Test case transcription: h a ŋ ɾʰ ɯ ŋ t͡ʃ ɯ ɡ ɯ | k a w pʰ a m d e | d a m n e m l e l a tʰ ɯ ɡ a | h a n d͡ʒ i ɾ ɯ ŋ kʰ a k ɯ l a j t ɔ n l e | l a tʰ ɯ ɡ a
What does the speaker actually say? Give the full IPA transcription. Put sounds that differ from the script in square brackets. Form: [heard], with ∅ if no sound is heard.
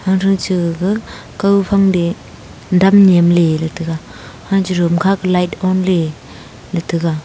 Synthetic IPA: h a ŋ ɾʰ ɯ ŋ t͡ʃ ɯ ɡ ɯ | k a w pʰ a [ŋ] d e | d a m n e m l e l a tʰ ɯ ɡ a | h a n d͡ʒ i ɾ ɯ [m] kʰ a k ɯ l a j t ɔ n l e | l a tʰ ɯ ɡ a